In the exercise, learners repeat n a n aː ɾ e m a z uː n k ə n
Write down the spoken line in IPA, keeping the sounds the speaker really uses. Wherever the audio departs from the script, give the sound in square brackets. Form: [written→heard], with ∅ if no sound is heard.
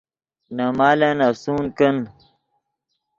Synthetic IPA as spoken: n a [n→m] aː [ɾ→l] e [m→n] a [z→s] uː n k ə n